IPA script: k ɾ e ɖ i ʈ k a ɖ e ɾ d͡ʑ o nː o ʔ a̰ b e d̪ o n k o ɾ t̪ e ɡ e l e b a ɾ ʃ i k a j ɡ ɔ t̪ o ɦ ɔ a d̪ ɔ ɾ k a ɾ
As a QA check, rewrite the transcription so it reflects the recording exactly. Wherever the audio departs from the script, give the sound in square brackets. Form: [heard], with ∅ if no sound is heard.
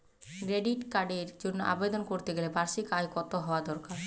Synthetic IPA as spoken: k ɾ e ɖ i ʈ k a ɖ e ɾ d͡ʑ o nː o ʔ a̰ b e d̪ o n k o ɾ t̪ e ɡ e l e b a ɾ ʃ i k a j [k] ɔ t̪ o ɦ ɔ a d̪ ɔ ɾ k a ɾ